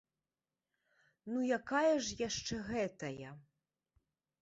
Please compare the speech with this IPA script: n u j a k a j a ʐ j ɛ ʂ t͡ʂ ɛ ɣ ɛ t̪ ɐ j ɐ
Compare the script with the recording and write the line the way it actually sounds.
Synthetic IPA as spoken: n u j a k a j ɐ ʐ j a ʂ t͡ʂ ɛ ɣ ɛ t̪ ɐ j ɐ